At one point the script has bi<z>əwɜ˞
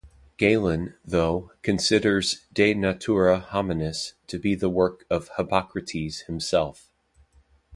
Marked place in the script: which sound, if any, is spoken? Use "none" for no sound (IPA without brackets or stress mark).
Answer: ð